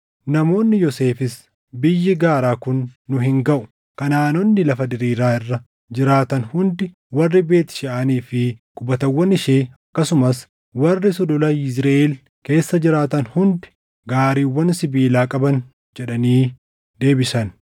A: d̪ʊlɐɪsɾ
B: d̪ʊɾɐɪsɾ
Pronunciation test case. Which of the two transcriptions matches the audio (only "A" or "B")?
A